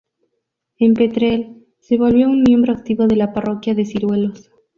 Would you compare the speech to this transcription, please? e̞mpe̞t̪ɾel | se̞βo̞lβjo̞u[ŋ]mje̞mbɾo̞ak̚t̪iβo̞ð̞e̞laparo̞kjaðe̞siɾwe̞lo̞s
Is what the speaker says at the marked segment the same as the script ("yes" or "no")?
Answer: no